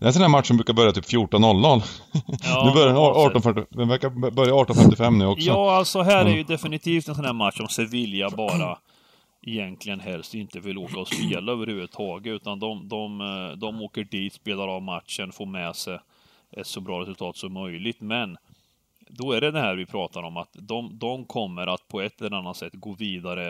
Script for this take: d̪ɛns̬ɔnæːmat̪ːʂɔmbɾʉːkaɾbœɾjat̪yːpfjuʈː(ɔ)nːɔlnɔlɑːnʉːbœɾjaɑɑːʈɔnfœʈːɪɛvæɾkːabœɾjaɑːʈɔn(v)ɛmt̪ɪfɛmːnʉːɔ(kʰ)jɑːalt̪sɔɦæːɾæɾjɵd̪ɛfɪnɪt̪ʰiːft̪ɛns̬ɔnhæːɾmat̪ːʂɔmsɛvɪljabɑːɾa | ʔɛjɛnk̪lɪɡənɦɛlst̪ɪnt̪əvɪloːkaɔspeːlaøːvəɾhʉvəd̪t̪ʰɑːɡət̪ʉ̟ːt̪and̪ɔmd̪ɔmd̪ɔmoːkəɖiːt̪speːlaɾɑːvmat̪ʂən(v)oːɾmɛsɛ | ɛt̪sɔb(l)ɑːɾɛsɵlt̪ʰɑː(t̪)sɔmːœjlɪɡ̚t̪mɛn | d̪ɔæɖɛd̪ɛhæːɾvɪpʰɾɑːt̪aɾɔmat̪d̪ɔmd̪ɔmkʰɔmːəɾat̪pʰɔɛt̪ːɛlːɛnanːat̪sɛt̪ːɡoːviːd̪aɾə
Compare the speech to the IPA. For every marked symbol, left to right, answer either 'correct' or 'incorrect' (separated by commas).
correct, incorrect, incorrect, incorrect, incorrect, correct